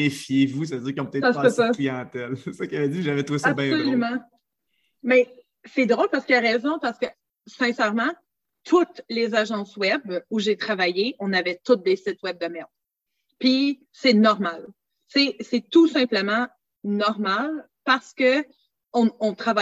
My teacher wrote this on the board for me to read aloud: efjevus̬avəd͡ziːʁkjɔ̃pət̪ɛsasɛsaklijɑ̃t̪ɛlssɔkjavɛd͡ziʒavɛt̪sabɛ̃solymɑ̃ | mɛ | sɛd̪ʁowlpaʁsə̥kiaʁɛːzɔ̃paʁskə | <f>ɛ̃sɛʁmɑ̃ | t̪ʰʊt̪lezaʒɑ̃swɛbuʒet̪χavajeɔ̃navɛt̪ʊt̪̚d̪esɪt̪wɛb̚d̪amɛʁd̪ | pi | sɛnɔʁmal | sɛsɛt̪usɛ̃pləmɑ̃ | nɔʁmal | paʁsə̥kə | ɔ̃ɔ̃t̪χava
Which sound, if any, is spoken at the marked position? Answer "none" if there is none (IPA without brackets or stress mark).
s